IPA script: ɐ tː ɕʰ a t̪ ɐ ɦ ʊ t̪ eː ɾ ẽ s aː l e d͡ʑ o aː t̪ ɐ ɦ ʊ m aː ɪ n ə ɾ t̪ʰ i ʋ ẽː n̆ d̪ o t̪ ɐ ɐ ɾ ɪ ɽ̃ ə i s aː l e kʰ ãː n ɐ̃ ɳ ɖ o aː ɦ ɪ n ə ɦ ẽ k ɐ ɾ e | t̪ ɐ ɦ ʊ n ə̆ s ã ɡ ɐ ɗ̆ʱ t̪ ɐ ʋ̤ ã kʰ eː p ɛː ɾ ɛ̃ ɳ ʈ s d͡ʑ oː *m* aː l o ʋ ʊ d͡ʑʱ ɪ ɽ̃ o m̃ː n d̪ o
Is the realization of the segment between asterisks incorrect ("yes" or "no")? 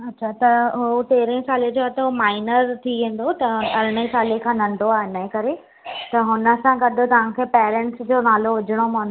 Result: yes